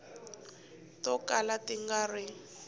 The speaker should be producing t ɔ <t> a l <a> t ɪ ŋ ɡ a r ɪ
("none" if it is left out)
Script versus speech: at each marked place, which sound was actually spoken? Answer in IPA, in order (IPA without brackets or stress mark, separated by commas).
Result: k, a